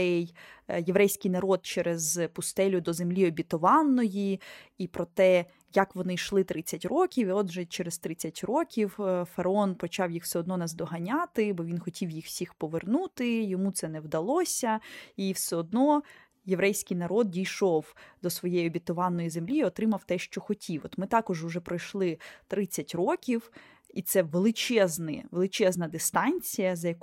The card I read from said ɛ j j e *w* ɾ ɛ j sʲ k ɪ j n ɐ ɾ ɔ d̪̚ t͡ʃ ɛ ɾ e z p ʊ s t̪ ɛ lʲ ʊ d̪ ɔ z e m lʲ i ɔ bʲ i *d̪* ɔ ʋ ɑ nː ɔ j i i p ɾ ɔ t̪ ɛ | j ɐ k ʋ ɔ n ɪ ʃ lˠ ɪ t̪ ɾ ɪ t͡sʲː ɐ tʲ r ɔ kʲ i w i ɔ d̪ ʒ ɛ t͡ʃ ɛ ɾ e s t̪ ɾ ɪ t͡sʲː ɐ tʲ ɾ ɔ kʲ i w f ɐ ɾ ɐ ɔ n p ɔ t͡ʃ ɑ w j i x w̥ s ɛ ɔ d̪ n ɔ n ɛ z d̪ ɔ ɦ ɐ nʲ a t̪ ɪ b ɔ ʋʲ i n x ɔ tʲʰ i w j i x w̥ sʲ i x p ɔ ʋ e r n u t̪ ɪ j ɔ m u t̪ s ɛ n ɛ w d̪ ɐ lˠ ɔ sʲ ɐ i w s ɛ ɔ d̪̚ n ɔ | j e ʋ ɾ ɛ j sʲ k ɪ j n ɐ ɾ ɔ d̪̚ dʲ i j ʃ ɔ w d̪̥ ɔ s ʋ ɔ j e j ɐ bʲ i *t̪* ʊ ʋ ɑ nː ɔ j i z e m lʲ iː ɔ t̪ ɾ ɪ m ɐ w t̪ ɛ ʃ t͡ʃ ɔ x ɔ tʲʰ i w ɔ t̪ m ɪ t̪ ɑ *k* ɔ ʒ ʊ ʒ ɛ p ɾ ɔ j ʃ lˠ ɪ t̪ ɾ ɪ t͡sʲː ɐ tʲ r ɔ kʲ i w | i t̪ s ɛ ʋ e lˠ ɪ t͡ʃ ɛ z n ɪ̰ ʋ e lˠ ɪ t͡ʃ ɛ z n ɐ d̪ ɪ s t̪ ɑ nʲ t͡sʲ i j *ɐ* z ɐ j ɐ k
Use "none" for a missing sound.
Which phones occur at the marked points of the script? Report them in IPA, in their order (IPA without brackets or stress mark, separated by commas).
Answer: ʋ, t̪, t̪, k, ɐ